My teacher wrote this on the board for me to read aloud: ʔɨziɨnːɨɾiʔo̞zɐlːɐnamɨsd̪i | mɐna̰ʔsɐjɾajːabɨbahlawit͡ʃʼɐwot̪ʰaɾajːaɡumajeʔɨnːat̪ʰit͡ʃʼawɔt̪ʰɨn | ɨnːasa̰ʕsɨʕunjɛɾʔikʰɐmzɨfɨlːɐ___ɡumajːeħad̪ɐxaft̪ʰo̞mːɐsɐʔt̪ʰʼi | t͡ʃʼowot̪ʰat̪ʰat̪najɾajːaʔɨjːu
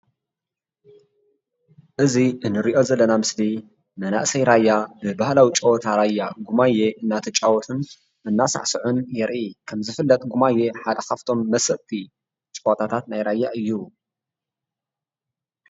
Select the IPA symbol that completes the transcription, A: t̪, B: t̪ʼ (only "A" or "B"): B